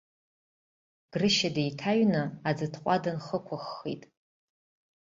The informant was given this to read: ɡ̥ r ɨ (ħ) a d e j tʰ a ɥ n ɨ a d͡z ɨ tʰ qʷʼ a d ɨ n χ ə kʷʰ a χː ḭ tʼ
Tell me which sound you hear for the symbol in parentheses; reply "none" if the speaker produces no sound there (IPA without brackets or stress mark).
ʃ